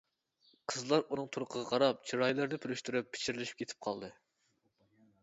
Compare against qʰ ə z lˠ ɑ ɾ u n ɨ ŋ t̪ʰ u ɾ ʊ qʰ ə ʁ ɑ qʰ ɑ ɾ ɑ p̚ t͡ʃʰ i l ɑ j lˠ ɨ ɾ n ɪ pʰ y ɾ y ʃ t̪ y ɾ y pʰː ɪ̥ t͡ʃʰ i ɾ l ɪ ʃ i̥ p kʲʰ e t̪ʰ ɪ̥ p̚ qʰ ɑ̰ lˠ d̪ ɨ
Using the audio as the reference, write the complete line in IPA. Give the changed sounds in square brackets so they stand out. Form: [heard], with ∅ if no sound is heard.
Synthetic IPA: qʰ ə z lˠ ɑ ɾ u n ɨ ŋ t̪ʰ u ɾ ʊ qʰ ə ʁ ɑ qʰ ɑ ɾ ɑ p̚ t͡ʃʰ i [ɾ] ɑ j lˠ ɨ ɾ n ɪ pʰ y ɾ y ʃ t̪ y ɾ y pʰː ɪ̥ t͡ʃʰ i ɾ l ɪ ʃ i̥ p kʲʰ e t̪ʰ ɪ̥ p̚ qʰ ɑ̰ lˠ d̪ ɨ